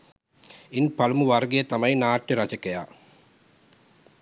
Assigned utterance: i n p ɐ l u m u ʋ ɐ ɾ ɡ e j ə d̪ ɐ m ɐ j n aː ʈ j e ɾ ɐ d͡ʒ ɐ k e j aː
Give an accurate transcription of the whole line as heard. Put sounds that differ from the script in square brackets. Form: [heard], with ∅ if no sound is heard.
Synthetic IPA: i n p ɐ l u m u ʋ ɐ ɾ ɡ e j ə [t̪] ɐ m ɐ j n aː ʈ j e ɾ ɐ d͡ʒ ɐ k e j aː